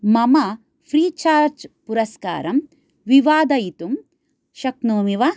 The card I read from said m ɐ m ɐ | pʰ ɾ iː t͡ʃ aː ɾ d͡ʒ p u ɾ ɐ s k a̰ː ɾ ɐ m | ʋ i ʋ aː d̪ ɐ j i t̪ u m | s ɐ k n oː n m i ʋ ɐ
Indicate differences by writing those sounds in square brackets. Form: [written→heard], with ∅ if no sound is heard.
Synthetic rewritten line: m ɐ m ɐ | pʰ ɾ iː t͡ʃ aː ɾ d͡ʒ p u ɾ ɐ s k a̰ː ɾ ɐ m | ʋ i ʋ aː d̪ ɐ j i t̪ u m | [s→ʃ] ɐ k n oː [n→∅] m i ʋ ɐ